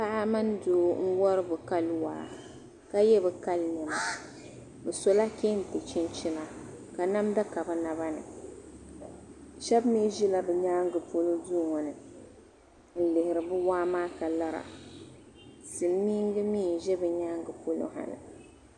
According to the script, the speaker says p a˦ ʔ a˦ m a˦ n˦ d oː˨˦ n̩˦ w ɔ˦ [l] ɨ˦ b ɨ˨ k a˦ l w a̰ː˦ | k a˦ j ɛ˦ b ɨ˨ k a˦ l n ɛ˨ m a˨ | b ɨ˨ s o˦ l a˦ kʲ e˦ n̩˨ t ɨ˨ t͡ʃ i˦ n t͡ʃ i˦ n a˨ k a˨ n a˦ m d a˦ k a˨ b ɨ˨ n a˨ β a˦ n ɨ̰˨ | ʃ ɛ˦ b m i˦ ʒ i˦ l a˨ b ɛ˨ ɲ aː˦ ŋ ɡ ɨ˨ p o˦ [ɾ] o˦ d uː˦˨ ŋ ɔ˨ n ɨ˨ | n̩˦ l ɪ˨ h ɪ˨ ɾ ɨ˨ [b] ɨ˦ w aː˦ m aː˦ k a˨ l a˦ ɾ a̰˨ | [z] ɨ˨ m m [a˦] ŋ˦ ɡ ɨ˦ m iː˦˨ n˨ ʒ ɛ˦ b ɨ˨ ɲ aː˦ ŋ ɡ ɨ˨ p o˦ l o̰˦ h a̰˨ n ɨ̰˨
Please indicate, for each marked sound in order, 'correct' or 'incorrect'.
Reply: incorrect, incorrect, correct, incorrect, incorrect

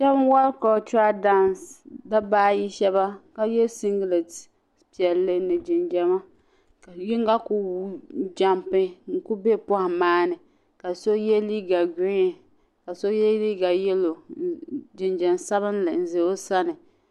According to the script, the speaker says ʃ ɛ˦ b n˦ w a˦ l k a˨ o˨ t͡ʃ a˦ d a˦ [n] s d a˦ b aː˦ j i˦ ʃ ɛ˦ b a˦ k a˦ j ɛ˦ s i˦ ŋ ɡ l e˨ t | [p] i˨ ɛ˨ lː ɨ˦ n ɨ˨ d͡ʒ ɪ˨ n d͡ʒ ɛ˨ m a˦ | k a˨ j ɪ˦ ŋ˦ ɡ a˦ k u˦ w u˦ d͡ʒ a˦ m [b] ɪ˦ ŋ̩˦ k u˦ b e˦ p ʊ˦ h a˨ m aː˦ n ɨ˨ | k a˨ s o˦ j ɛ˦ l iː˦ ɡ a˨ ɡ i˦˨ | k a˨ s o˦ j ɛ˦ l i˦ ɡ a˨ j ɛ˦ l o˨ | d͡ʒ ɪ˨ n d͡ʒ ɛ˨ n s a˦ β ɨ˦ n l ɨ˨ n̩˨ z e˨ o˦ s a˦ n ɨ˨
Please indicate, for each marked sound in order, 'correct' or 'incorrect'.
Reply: correct, correct, incorrect

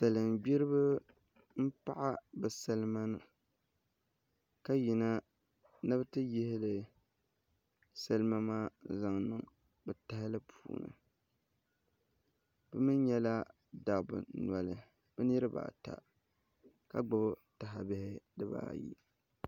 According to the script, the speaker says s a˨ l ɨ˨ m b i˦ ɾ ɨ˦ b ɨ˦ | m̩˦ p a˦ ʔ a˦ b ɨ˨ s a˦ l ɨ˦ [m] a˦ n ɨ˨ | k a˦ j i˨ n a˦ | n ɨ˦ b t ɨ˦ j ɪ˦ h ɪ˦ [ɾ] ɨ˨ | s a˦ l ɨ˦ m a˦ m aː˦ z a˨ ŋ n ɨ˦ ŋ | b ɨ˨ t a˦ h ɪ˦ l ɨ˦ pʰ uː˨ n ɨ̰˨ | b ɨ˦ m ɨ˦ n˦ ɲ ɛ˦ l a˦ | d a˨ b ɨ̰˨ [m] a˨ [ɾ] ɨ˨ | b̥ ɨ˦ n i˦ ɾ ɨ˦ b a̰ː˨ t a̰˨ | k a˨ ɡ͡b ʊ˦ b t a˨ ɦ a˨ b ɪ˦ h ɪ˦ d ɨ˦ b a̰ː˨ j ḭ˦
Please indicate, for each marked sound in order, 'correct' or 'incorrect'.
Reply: correct, incorrect, incorrect, incorrect

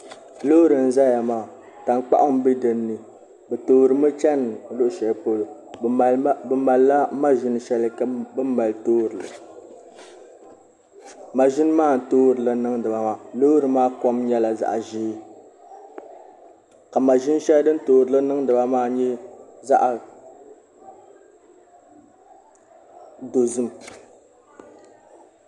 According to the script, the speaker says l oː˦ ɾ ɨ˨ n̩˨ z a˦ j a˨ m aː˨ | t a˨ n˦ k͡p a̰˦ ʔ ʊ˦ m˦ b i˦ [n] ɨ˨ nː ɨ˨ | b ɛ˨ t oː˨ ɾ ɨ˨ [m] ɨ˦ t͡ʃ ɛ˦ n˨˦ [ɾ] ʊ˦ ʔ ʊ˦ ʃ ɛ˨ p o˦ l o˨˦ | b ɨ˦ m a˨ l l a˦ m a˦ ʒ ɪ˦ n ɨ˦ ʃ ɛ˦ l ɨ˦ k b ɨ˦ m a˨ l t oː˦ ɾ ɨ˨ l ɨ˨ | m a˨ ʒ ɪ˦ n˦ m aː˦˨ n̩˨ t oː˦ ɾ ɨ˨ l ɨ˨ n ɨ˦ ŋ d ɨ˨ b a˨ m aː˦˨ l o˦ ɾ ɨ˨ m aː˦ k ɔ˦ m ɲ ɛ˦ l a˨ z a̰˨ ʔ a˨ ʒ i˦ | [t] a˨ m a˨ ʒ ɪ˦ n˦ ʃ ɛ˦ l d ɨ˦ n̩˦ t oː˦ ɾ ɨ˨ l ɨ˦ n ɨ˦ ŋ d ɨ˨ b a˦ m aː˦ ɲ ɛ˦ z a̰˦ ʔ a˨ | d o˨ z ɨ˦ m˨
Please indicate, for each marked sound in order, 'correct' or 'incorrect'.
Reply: incorrect, correct, incorrect, incorrect

